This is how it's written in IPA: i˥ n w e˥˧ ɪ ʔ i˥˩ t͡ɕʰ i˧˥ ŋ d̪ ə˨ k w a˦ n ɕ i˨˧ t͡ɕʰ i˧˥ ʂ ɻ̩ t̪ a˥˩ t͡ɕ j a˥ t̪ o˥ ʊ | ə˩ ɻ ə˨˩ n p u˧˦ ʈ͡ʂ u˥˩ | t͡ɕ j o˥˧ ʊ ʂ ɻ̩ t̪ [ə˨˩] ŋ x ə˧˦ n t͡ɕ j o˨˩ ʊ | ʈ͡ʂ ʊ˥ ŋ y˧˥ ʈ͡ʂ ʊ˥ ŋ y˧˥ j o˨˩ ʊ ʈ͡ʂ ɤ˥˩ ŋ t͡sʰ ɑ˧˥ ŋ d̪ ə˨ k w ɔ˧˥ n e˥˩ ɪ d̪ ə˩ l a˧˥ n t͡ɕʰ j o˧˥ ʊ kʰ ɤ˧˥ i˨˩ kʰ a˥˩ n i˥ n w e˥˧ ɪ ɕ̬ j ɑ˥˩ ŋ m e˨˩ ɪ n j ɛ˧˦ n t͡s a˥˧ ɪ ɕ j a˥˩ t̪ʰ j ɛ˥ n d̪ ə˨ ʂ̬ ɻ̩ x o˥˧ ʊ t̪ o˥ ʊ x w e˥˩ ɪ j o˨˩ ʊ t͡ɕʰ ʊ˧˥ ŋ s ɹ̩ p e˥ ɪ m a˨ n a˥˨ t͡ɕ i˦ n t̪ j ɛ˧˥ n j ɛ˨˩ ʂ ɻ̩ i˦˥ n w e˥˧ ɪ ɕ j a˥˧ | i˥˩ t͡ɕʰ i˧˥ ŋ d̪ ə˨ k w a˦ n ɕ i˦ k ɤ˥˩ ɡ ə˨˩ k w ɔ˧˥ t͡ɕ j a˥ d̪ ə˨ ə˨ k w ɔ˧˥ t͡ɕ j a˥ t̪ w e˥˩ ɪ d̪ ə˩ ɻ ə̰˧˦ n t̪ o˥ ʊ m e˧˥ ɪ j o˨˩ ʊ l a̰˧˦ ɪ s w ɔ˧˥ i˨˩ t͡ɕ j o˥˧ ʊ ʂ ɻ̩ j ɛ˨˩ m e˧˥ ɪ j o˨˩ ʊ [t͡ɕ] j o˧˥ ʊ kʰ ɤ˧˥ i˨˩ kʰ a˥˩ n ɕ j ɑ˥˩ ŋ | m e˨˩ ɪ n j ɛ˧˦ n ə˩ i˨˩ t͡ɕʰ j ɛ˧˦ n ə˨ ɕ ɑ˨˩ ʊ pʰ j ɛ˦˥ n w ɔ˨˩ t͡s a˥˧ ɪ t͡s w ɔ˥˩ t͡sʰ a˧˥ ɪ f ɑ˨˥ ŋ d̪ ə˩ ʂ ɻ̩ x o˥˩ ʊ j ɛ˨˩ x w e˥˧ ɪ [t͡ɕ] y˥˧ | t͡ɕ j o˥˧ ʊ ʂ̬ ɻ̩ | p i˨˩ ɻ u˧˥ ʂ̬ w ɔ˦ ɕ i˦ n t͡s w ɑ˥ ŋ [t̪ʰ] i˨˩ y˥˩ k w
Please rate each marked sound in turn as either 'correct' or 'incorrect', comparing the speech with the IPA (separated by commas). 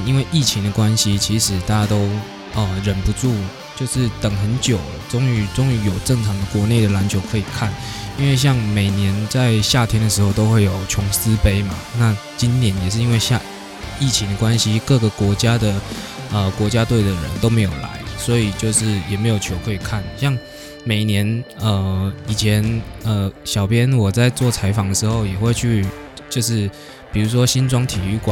correct, incorrect, incorrect, correct